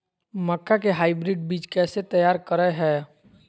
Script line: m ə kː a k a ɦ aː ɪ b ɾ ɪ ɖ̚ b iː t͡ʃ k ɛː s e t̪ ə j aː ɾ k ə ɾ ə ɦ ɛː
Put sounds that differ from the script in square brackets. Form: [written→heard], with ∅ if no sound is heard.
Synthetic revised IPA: m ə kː a k [a→e] ɦ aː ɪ b ɾ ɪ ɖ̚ b iː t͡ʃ k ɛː s e t̪ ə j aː ɾ k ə ɾ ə ɦ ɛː